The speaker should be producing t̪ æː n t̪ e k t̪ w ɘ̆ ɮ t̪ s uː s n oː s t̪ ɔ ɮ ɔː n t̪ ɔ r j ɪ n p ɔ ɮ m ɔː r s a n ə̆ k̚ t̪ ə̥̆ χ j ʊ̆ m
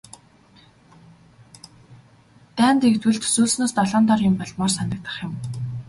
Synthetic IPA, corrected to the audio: t̪ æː n t̪ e k t̪ w ɘ̆ ɮ t̪ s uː s n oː s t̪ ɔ ɮ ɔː n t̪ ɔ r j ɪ m p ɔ ɮ m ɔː r s a n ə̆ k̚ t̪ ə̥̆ χ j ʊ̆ m